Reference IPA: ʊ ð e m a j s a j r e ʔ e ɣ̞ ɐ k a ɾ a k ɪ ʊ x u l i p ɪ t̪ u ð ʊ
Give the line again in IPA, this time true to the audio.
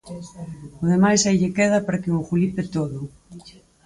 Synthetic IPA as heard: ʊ ð e m a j s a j ʎ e k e ð̞ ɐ p a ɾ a k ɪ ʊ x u l i p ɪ t̪ o ð ʊ